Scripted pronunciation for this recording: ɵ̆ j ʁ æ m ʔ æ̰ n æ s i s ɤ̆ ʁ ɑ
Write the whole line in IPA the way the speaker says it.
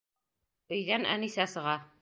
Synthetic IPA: ɵ̆ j ð æ n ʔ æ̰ n i s æ s ɤ̆ ʁ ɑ

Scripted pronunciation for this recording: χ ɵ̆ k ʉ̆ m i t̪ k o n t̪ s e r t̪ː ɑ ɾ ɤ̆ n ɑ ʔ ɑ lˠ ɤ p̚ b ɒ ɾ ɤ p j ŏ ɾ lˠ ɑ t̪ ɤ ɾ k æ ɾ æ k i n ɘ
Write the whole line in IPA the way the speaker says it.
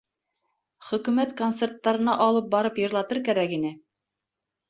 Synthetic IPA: χ ɵ̆ k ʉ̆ m æ t̪ k o n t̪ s e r t̪ː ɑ ɾ ɤ̆ n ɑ ʔ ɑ lˠ ɤ p̚ b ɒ ɾ ɤ p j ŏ ɾ lˠ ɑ t̪ ɤ ɾ k æ ɾ æ k i n ɘ

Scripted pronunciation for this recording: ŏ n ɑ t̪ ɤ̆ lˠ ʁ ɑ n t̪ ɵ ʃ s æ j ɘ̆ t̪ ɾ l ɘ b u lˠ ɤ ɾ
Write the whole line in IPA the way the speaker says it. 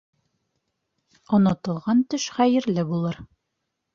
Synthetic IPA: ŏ n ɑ t̪ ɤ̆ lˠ ʁ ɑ n t̪ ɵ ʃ χ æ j ɘ̆ ɾ l ɘ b u lˠ ɤ ɾ

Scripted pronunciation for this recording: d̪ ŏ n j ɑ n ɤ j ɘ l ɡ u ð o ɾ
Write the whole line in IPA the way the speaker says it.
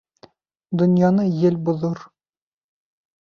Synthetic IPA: d̪ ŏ n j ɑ n ɤ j ɘ l b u ð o ɾ

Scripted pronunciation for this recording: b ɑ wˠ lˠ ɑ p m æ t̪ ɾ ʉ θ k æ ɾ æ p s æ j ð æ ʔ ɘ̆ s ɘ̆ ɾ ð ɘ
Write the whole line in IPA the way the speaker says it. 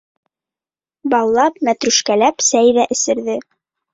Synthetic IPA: b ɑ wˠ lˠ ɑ p m æ t̪ ɾ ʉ ʃ k æ l æ p s æ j ð æ ʔ ɘ̆ s ɘ̆ ɾ ð ɘ

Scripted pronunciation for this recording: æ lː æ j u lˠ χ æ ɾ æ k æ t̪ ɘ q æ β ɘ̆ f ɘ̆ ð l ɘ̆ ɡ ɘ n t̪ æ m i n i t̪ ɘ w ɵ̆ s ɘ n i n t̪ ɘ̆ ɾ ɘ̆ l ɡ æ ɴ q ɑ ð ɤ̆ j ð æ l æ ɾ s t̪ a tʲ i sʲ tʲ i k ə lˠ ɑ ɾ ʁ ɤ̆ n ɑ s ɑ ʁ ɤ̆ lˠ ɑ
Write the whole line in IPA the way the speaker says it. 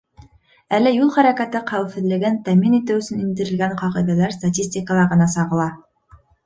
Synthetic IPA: æ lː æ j u lˠ χ æ ɾ æ k æ t̪ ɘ q æ w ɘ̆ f ɘ̆ ð l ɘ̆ ɡ ɘ n t̪ æ m i n i t̪ ɘ w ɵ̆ s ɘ n i n d̪ ɘ̆ ɾ ɘ̆ l ɡ æ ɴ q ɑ ʁ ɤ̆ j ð æ l æ ɾ s t̪ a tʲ i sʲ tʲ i k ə lˠ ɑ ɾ ʁ ɤ̆ n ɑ s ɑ ʁ ɤ̆ lˠ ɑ

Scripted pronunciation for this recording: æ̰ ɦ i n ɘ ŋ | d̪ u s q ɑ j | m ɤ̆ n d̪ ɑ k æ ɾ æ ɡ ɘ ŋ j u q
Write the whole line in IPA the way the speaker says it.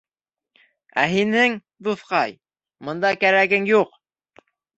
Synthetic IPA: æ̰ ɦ i n ɘ ŋ | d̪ u θ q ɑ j | m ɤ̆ n d̪ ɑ k æ ɾ æ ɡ ɘ ŋ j u q

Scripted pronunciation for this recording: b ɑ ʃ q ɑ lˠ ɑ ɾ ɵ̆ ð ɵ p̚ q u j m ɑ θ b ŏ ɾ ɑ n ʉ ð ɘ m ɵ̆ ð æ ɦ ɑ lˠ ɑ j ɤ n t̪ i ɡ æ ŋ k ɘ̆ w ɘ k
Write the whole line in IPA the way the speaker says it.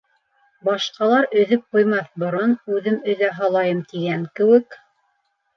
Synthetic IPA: b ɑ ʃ q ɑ lˠ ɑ ɾ ɵ̆ ð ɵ p̚ q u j m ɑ θ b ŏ ɾ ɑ n ʉ ð ɘ m ɵ̆ ð æ ɦ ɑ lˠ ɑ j ɤ m t̪ i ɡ æ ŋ k ɘ̆ w ɘ k

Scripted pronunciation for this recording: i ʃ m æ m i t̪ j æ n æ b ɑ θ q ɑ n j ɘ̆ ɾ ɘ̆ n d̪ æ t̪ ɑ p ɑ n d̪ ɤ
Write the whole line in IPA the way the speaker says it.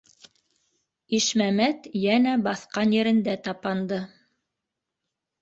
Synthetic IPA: i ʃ m æ m æ t̪ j æ n æ b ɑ θ q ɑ n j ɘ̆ ɾ ɘ̆ n d̪ æ t̪ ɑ p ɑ n d̪ ɤ

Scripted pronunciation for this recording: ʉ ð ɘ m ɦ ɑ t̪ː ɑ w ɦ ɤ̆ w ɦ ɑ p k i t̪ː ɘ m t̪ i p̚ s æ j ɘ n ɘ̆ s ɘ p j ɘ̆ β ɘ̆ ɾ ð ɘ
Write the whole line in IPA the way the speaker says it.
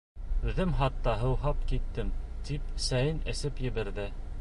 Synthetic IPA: ʉ ð ɘ m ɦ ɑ t̪ː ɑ ɦ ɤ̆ w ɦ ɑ p k i t̪ː ɘ m t̪ i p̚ s æ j ɘ n ɘ̆ s ɘ p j ɘ̆ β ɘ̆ ɾ ð ɘ

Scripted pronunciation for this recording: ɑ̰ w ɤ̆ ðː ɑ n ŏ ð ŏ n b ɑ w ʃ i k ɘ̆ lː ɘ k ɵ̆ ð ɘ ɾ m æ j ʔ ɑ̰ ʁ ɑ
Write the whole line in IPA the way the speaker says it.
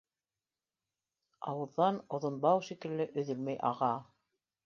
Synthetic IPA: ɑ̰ w ɤ̆ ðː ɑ n ŏ ð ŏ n b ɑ w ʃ i k ɘ̆ lː ɘ ʔ ɵ̆ ð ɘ l m æ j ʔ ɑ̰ ʁ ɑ

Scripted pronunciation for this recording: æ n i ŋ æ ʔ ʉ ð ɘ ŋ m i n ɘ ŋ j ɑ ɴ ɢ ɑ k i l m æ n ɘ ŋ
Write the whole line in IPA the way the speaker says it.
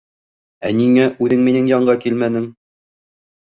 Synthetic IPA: æ n i ŋ æ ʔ ʉ ð ɘ ŋ m i n ɘ ŋ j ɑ ɴ ɢ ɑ k i l m æ n ɘ ŋ

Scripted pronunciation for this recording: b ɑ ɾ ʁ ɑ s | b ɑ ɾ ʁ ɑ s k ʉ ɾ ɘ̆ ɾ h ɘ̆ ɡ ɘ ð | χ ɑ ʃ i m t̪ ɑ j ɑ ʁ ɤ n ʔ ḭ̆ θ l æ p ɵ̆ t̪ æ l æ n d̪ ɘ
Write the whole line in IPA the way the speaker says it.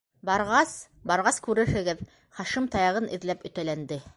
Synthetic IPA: b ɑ ɾ ʁ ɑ s | b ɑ ɾ ʁ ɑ s k ʉ ɾ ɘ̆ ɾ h ɘ̆ ɡ ɘ ð | χ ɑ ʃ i m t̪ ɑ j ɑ ʁ ɤ n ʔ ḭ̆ ð l æ p ɵ̆ t̪ æ l æ n d̪ ɘ

